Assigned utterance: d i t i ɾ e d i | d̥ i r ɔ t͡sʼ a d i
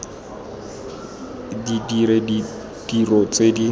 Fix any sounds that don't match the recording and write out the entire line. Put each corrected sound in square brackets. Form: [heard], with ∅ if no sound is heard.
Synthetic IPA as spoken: d i [d] i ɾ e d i | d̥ i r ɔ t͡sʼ [e] d i